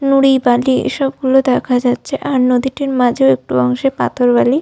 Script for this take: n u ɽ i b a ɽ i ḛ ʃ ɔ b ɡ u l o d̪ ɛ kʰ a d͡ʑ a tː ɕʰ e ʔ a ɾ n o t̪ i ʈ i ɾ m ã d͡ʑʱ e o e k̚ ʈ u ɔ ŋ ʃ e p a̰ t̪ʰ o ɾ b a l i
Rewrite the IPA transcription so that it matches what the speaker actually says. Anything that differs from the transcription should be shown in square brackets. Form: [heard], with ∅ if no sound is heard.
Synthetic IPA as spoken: n u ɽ i b a [l] i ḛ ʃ ɔ b ɡ u l o d̪ ɛ kʰ a d͡ʑ a tː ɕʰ e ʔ a ɾ n o [d̪] i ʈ i ɾ m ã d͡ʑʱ e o e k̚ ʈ u ɔ ŋ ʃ e p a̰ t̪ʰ o ɾ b a l i